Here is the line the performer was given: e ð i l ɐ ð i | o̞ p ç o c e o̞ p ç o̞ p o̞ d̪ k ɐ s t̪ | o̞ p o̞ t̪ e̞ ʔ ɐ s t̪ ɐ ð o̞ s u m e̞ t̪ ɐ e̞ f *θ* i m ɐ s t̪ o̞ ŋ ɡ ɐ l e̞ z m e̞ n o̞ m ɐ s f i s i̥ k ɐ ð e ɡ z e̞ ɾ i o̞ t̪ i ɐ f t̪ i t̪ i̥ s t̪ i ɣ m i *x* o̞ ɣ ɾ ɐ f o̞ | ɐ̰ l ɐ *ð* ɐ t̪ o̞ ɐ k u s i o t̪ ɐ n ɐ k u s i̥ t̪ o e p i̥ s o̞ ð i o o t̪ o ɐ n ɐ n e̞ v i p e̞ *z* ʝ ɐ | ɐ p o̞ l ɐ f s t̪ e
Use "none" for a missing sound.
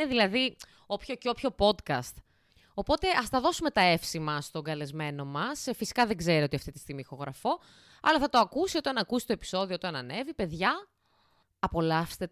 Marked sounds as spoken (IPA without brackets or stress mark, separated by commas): s, x, θ, ð